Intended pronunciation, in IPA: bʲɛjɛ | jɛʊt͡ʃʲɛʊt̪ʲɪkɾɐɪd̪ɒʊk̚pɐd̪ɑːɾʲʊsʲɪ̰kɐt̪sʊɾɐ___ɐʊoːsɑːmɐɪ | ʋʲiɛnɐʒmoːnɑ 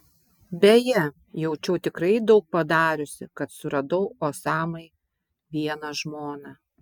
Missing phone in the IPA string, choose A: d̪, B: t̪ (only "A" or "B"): A